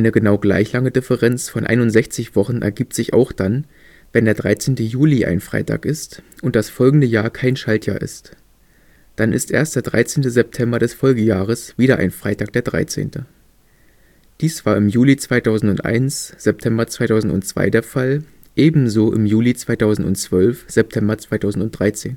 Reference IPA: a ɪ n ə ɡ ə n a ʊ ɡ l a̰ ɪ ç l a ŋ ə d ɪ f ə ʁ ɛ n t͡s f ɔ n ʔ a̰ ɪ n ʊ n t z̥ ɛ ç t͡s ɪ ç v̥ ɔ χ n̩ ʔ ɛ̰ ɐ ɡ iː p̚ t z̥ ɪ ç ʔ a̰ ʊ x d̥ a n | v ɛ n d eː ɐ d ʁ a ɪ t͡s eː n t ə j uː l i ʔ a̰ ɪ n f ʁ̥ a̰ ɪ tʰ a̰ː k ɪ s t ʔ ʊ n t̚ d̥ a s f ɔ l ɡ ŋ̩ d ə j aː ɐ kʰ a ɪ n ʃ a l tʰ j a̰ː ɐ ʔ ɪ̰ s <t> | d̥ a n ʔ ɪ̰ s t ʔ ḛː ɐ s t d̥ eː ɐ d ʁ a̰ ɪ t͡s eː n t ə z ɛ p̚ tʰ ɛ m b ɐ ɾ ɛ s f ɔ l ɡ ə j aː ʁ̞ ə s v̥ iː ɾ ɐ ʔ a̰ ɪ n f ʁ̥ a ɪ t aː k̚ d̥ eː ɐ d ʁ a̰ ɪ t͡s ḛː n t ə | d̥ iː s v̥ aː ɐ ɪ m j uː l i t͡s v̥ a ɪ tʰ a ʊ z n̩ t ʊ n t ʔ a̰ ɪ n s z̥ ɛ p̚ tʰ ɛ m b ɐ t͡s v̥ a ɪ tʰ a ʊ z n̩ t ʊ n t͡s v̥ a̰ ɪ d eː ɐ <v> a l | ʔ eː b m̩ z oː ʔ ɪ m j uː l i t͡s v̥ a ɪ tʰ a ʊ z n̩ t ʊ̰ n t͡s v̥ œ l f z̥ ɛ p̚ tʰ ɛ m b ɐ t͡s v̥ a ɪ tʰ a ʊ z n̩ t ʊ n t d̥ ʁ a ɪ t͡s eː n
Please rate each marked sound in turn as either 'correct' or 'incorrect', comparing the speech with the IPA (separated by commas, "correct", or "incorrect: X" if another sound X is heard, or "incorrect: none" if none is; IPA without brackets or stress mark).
correct, incorrect: f